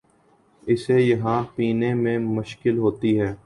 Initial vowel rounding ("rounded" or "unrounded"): unrounded